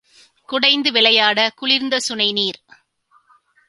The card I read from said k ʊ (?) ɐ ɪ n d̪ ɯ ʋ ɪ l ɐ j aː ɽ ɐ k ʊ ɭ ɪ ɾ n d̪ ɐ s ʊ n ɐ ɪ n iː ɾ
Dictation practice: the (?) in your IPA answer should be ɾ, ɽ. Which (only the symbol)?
ɽ